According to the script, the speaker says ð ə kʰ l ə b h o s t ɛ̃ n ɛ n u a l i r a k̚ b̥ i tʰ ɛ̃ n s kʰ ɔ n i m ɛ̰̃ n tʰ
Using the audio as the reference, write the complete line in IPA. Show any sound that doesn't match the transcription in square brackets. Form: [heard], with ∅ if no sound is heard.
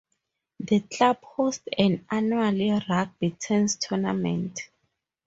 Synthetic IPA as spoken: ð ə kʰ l [a] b h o s t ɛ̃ n [a] n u a l i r a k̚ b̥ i tʰ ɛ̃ n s [tʰ] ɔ n [a] m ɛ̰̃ n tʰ